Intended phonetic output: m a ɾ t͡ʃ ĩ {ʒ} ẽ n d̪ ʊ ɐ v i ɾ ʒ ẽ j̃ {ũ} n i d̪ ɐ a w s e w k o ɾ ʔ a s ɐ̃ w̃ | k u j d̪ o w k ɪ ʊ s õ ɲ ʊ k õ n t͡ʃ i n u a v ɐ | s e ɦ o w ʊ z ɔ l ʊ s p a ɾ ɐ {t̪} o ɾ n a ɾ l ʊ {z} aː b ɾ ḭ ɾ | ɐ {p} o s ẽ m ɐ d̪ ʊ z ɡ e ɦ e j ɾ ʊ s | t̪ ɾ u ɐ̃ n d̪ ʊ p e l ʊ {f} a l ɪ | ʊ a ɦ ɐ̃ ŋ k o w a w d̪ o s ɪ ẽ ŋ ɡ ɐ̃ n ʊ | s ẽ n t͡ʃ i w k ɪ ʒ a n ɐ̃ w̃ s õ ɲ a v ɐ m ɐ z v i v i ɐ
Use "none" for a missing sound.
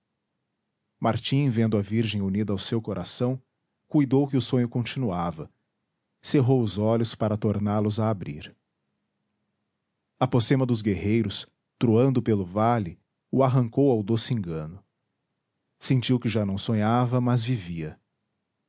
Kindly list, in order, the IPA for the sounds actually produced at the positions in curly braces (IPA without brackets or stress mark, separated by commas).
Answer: v, u, t̪, z, p, v